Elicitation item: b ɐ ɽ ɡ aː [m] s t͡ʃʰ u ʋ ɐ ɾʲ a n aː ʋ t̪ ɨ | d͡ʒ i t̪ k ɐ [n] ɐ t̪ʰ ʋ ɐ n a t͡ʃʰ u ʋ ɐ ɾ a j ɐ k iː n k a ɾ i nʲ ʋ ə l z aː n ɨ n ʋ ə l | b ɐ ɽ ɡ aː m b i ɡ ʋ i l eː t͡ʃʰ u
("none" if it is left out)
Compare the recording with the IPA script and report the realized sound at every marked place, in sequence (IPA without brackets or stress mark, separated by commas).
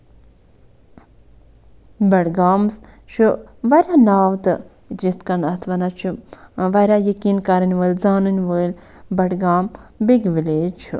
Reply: m, n